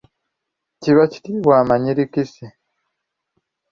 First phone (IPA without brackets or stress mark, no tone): c